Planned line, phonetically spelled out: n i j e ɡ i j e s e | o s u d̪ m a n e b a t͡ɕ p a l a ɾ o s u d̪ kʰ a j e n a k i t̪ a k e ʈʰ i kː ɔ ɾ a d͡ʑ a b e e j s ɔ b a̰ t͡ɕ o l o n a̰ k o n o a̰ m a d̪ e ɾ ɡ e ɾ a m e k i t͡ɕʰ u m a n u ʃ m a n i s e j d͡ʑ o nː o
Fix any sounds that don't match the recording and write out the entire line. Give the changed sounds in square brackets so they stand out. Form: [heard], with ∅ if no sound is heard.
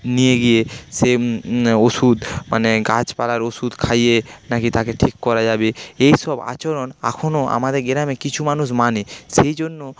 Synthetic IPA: n i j e ɡ i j e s e | o s u d̪ m a n e [ɡ] a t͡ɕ p a l a ɾ o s u d̪ kʰ a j e n a k i t̪ a k e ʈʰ i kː ɔ ɾ a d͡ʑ a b e e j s ɔ b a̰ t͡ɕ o [ɾ] o n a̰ [kʰ] o n o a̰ m a d̪ e ɾ ɡ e ɾ a m e k i t͡ɕʰ u m a n u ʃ m a n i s e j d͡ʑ o nː o